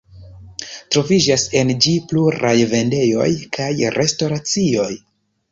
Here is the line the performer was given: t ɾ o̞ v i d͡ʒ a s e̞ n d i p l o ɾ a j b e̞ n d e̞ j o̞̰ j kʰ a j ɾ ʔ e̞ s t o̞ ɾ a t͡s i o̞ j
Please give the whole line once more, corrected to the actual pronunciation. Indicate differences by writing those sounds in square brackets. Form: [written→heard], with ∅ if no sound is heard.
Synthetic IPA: t ɾ o̞ v i d͡ʒ a s e̞ n [d→d͡ʒ] i p l [o→u] ɾ a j [b→v] e̞ n d e̞ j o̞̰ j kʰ a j ɾ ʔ e̞ s t o̞ ɾ a t͡s i o̞ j